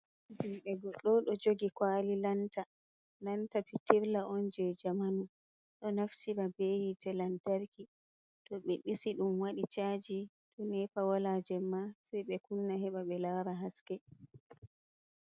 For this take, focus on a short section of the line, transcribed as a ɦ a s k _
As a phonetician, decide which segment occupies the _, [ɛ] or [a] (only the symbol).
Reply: ɛ